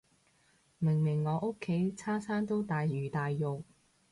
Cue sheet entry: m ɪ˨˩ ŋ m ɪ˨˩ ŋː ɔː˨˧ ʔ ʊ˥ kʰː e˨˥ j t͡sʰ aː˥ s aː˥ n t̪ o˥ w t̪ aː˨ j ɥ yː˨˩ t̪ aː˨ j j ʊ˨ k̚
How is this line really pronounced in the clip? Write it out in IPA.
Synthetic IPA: m ɪ˨˩ ŋ m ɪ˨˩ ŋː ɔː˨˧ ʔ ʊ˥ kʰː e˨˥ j t͡sʰ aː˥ s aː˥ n t̪ o˥ w t̪ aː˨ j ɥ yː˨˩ t̪ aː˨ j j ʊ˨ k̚

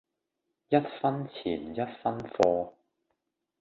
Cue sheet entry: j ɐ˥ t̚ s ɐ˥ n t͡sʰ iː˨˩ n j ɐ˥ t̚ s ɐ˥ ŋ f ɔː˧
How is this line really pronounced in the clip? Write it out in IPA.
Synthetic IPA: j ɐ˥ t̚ f ɐ˥ n t͡sʰ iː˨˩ n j ɐ˥ t̚ f ɐ˥ n f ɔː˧

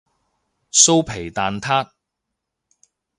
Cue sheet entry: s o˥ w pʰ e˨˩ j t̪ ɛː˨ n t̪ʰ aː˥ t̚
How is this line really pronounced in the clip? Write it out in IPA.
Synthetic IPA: s o˥ w pʰ e˨˩ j t̪ aː˨ n t̪ʰ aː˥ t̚

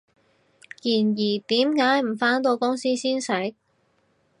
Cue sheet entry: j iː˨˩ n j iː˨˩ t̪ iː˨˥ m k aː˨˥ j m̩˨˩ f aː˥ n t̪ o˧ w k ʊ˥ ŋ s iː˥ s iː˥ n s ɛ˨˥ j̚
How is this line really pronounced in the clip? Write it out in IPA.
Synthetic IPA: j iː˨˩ n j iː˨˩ t̪ iː˨˥ m k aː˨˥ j m̩˨˩ f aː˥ n t̪ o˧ w k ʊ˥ ŋ s iː˥ s iː˥ n s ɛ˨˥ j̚

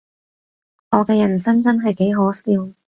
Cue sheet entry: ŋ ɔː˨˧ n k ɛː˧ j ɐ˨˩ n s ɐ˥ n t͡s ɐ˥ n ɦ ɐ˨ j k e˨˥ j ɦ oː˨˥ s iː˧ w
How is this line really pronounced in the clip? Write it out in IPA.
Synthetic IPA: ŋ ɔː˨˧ k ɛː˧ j ɐ˨˩ n s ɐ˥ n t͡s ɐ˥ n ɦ ɐ˨ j k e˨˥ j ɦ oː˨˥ s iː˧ w

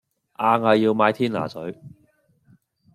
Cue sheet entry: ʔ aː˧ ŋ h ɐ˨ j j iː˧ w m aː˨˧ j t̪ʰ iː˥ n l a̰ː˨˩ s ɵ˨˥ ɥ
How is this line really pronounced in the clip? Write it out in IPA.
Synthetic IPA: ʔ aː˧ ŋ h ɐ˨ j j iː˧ w m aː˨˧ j t̪ʰ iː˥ n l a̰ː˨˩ s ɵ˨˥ ɥ

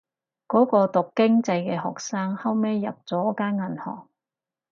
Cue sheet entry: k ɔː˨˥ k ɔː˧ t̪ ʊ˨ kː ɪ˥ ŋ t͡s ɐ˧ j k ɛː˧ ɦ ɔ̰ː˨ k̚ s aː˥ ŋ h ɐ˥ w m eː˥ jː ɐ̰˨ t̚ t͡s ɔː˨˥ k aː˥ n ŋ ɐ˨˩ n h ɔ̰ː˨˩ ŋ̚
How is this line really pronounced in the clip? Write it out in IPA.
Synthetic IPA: k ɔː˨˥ k ɔː˧ t̪ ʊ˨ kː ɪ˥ ŋ t͡s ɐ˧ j k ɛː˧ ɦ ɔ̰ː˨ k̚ s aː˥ ŋ h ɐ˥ w m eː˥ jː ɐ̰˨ p̚ t͡s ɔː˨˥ k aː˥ n ŋ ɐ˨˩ n h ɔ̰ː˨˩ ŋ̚

